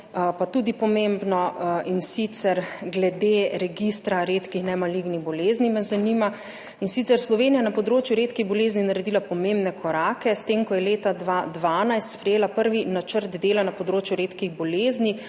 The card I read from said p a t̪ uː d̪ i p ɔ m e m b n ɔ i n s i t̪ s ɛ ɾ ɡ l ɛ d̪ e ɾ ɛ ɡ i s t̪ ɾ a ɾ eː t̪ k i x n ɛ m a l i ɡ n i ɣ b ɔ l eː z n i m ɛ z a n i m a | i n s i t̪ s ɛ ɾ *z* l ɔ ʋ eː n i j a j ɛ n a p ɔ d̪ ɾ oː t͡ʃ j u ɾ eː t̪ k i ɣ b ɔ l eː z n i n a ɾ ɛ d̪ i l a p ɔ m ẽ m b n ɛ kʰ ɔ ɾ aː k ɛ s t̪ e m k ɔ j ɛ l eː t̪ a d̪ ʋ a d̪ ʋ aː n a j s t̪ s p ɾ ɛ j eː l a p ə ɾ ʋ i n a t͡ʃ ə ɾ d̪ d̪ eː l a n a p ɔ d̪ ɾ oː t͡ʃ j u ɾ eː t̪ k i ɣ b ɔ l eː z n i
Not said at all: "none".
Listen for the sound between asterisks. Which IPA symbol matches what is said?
s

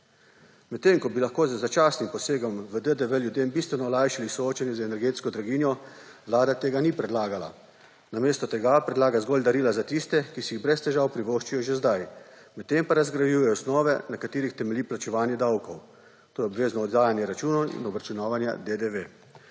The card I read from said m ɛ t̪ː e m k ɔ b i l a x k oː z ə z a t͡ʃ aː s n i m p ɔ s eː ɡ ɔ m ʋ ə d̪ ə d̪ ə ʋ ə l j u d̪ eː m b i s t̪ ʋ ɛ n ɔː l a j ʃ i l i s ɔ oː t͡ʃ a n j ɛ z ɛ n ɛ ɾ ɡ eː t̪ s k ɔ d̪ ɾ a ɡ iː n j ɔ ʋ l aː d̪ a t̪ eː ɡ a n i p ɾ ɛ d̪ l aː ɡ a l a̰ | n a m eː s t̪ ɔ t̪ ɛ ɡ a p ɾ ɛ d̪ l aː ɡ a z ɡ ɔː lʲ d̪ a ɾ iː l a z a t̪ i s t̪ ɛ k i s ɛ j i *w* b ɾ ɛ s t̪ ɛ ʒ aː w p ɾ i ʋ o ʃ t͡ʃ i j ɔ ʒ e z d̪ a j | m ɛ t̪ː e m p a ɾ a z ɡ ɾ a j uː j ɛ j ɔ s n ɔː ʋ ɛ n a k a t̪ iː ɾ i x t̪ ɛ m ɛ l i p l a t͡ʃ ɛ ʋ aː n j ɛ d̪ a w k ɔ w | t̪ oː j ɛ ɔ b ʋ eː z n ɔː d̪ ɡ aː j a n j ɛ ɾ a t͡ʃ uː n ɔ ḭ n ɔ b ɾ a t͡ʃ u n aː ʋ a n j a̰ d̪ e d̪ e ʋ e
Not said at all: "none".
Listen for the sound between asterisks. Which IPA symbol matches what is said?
ɣ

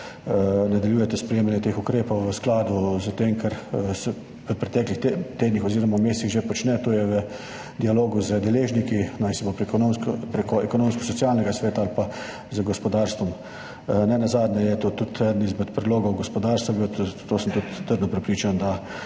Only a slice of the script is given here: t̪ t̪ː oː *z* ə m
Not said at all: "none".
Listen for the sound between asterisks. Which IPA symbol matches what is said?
s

